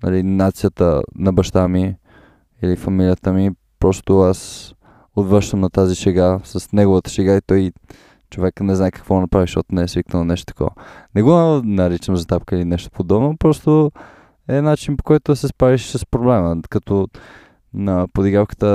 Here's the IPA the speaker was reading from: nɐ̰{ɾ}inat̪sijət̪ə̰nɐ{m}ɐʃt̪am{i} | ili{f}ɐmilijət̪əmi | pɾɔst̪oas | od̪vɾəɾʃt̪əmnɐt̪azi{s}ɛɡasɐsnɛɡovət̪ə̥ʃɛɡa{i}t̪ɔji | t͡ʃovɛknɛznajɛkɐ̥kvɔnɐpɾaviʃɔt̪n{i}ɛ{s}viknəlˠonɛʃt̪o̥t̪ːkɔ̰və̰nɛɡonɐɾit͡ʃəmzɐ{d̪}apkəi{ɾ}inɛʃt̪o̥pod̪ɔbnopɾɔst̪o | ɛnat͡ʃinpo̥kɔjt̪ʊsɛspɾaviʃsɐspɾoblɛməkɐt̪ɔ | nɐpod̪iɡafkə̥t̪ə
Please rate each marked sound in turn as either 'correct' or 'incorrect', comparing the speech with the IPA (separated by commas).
incorrect, incorrect, correct, correct, incorrect, correct, incorrect, correct, incorrect, incorrect